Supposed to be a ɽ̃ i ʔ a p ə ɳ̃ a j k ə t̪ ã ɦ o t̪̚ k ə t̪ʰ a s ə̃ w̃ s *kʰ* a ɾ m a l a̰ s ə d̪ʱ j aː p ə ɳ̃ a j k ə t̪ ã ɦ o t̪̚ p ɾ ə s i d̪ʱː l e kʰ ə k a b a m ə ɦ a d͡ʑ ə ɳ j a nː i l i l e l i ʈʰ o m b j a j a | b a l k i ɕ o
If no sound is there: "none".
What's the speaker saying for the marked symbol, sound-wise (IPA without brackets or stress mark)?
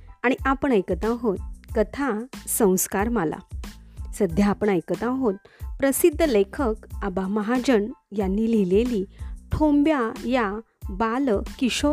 k